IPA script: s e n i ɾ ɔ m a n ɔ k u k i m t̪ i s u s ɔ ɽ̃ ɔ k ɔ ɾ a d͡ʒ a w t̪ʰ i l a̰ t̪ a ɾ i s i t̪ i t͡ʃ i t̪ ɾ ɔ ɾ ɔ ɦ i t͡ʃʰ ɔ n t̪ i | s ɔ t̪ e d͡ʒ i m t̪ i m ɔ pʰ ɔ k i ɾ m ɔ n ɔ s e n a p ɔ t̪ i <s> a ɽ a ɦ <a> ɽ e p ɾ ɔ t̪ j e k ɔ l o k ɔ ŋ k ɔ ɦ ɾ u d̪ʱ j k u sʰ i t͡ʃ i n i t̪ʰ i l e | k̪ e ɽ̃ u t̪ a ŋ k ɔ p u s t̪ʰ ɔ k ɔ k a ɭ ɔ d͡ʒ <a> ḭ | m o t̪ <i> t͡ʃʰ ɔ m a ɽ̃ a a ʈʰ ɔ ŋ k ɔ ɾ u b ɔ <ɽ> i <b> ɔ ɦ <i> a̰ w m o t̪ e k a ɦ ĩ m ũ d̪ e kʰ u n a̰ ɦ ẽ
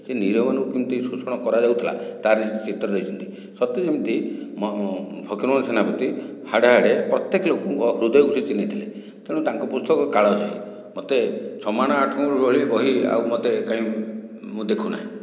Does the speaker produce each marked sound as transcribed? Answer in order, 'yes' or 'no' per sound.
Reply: no, yes, yes, no, no, yes, yes

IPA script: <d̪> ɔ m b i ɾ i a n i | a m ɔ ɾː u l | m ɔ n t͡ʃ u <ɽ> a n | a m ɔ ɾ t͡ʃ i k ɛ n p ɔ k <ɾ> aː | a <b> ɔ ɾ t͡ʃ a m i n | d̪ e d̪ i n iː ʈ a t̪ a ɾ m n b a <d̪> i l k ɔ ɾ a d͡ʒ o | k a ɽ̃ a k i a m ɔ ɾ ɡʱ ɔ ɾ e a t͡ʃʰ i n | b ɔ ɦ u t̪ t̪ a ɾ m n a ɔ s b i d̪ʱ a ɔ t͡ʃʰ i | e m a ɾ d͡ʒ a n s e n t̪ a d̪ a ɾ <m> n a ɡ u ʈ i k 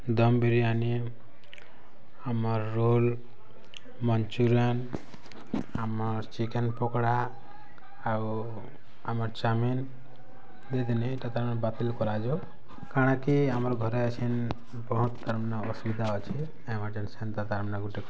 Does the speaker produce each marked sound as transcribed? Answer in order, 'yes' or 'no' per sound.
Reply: yes, no, no, no, no, yes

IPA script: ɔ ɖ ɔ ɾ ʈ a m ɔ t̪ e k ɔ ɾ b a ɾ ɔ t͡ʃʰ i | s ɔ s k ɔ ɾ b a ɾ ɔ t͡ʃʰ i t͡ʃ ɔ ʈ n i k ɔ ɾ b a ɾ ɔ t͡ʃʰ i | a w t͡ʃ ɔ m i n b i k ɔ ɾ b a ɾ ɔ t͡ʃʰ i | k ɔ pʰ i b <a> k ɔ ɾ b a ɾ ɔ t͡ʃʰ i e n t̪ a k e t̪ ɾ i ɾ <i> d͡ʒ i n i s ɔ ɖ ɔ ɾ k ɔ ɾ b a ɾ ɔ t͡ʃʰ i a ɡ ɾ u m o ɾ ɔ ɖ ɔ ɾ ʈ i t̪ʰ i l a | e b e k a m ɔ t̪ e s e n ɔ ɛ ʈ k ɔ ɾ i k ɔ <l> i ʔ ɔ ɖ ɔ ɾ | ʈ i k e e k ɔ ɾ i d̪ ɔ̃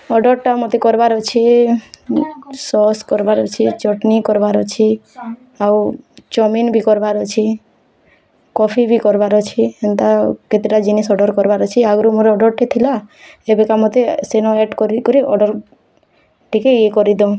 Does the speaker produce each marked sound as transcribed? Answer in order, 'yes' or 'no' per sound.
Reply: no, no, no

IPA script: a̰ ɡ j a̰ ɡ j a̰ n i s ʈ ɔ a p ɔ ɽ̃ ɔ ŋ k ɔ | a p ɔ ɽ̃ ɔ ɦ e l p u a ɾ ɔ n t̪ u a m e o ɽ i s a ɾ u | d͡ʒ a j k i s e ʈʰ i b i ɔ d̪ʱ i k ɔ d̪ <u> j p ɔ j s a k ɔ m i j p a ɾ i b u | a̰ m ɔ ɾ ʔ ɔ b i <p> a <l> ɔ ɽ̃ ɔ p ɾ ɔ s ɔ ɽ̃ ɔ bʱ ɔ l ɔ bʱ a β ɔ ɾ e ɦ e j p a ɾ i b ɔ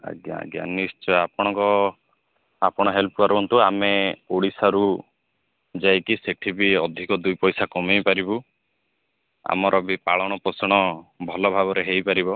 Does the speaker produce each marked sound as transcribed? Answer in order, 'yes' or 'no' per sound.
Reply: yes, yes, no

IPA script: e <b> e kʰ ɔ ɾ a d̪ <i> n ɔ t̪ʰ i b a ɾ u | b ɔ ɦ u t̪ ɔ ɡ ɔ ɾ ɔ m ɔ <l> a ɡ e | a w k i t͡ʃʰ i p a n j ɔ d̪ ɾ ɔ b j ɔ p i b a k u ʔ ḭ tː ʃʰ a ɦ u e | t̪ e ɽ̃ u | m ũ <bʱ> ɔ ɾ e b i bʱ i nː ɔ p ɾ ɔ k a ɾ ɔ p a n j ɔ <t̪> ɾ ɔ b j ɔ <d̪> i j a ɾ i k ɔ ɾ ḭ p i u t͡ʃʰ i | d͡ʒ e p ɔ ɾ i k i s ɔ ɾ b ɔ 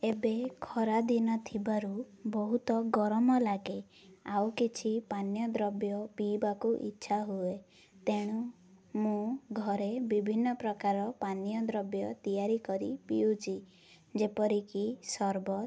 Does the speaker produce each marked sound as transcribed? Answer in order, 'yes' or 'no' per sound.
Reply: yes, yes, yes, no, no, no

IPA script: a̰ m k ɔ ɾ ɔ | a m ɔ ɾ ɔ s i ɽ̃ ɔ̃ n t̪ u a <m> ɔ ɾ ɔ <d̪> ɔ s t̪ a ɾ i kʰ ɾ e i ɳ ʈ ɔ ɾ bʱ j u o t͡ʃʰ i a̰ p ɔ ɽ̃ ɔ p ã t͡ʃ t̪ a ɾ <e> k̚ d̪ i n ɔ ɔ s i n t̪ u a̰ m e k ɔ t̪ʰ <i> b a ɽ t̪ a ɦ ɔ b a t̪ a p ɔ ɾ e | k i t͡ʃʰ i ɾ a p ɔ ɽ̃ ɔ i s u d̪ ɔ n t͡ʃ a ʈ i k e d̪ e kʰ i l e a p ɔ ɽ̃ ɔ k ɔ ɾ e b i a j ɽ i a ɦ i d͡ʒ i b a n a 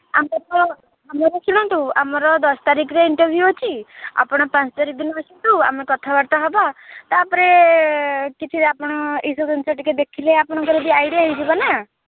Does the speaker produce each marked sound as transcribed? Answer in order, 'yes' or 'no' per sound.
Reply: yes, yes, no, no

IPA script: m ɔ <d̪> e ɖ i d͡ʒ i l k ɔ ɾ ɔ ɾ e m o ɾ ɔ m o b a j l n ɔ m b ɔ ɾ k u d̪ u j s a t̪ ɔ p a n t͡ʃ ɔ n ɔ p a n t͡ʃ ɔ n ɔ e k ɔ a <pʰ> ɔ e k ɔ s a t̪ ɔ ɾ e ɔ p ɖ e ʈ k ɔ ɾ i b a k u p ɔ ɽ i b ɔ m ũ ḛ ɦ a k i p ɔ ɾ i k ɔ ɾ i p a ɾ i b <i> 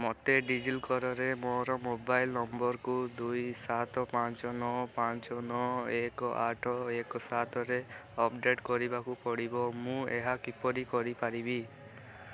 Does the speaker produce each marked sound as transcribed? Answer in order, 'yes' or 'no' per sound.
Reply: no, no, yes

